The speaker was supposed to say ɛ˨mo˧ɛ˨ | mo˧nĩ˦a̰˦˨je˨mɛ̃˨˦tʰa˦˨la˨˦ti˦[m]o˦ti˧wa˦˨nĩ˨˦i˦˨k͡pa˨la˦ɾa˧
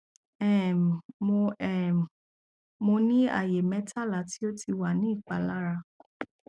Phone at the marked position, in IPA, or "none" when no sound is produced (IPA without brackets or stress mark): none